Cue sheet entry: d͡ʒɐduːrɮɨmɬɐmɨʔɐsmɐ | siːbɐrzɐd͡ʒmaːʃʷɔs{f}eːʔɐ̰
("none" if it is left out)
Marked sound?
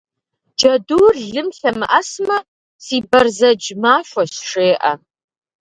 ʂ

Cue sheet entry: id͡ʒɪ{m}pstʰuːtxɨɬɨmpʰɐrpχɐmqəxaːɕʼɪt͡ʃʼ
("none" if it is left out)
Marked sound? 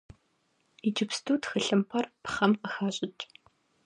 none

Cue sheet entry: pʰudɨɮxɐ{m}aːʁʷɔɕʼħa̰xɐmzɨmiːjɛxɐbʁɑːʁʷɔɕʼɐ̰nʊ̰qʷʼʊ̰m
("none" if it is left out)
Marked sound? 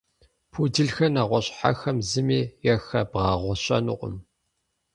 n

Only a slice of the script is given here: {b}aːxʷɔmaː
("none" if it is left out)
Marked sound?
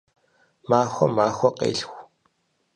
m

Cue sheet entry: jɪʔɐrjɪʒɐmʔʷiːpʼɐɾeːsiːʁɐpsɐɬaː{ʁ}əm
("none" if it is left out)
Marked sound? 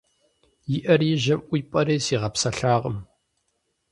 ʁ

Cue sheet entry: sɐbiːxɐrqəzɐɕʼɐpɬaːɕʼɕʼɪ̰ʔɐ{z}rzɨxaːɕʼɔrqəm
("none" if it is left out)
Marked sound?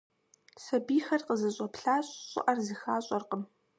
none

